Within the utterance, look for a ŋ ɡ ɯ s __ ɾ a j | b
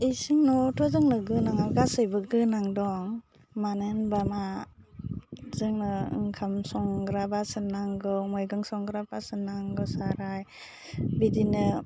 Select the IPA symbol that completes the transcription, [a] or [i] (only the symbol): a